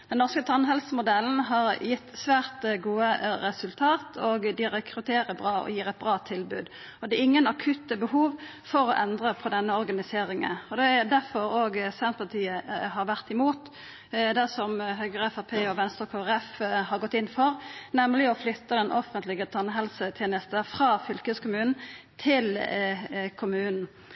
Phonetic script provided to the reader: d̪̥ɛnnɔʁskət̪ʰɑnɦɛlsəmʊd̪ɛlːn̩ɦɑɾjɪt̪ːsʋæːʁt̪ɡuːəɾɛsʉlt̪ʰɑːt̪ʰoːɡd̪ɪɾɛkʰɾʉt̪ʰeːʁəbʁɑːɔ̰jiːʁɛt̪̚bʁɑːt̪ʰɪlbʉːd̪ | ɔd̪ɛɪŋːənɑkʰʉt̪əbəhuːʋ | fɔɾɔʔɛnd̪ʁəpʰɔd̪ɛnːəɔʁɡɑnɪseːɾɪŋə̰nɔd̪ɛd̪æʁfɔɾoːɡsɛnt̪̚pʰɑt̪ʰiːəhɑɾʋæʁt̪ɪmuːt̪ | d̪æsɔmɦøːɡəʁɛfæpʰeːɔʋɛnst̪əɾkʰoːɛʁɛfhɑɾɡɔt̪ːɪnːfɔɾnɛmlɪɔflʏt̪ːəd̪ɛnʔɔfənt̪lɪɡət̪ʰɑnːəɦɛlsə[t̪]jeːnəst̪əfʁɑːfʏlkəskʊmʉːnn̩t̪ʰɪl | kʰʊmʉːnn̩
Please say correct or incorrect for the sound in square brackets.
incorrect